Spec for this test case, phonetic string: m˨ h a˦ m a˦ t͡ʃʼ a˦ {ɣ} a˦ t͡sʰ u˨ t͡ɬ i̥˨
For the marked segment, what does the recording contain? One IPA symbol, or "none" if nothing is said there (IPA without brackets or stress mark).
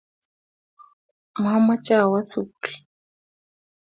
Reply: w